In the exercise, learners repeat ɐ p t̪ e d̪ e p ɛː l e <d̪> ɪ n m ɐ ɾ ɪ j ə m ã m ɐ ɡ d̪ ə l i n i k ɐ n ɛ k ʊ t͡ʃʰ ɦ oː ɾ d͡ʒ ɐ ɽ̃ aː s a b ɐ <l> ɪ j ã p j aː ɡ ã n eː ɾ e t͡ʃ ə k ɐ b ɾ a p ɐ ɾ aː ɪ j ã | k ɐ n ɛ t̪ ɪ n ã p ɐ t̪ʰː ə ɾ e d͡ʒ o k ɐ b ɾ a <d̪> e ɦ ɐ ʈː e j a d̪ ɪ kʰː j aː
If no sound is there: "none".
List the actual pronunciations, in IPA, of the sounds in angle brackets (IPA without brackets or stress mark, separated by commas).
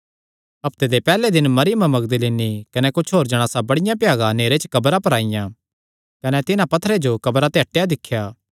d̪, ɽ, t̪